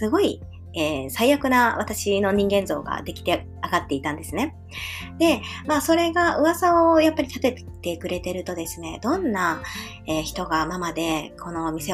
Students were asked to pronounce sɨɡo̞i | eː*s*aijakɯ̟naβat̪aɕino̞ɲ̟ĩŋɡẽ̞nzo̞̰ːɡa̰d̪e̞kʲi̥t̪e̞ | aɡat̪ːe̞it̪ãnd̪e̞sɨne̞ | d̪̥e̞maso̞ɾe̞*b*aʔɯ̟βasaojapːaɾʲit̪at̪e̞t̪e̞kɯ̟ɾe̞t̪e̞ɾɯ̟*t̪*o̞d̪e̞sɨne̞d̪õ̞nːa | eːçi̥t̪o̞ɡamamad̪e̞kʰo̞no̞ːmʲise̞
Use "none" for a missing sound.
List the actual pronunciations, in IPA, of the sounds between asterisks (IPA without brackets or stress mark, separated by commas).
s, ɡ, t̪